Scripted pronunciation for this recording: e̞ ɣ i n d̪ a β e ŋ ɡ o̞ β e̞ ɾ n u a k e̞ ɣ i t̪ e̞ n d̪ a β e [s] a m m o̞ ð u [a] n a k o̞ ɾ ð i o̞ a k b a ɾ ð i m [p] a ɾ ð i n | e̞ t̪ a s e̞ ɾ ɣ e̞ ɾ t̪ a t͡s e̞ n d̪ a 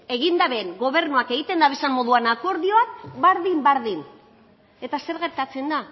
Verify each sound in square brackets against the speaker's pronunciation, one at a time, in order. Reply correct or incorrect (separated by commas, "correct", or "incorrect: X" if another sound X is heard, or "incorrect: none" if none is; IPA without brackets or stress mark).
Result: correct, correct, incorrect: b